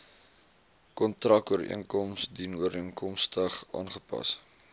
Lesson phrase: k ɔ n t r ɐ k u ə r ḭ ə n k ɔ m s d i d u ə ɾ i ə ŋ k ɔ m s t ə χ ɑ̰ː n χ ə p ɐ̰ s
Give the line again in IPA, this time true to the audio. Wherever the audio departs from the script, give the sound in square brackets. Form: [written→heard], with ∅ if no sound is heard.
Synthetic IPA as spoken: k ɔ n t r ɐ k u ə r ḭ ə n k ɔ m s d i [d→n] u ə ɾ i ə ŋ k ɔ m s t ə χ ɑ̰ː n χ ə p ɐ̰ s